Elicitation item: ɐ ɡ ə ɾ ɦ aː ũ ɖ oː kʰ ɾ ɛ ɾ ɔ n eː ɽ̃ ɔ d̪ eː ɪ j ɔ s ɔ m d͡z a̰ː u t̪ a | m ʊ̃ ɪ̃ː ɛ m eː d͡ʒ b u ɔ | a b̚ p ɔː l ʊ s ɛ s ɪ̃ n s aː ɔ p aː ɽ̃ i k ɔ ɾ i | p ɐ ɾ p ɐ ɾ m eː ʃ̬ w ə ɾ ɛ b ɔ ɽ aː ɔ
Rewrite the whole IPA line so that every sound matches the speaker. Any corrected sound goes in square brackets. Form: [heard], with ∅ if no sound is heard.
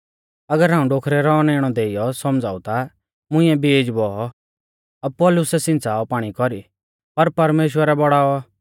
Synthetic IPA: ɐ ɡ ə ɾ ɦ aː ũ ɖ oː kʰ ɾ ɛ ɾ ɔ n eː ɽ̃ ɔ d̪ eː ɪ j ɔ s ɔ m d͡z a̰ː u t̪ a | m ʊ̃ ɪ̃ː ɛ [b] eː d͡ʒ b [ɔ] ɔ | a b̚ p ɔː l ʊ s ɛ s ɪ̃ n [t͡s] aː ɔ p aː ɽ̃ i k ɔ ɾ i | p ɐ ɾ p ɐ ɾ m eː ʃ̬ w ə ɾ ɛ b ɔ ɽ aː ɔ